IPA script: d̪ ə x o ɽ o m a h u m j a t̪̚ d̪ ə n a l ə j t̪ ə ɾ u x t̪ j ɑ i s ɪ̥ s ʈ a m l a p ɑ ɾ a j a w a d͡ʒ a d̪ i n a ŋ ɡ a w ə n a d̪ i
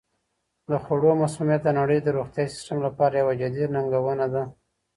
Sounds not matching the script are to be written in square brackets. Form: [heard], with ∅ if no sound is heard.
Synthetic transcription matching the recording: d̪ ə x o ɽ o m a [s] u m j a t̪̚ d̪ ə n a [ɽ] ə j [d̪] ə ɾ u x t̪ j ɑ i s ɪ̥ s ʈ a m l a p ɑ ɾ a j a w a d͡ʒ a d̪ i n a ŋ ɡ a w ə n a d̪ [a]